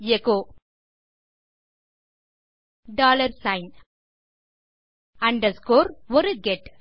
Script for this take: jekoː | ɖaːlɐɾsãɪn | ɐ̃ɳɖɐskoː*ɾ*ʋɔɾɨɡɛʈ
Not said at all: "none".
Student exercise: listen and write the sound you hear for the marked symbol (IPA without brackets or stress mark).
ɾ